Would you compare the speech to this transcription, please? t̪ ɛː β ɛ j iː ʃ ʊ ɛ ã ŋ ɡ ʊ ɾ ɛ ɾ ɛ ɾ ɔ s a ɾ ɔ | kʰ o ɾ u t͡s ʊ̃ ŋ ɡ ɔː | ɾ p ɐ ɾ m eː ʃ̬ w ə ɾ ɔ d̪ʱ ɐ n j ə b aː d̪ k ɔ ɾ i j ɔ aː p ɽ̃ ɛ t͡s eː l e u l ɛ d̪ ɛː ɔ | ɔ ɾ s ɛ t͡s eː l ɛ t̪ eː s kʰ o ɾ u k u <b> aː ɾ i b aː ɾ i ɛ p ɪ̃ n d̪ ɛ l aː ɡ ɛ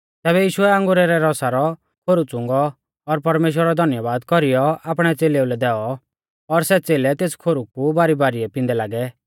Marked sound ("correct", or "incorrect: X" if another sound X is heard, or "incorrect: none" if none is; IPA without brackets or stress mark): correct